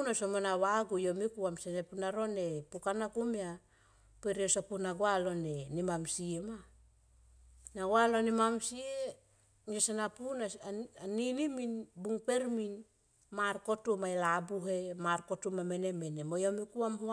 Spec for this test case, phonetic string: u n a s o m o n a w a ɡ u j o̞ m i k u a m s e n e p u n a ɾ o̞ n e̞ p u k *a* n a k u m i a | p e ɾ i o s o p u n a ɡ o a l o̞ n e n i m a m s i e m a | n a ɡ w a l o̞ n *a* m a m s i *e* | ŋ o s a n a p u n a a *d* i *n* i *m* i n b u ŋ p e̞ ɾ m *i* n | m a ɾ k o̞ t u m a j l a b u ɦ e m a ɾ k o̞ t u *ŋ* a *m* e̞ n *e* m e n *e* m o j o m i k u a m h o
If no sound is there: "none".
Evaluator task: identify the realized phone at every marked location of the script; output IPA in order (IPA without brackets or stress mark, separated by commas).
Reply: a, i, e, n, n, m, i, m, m, e, e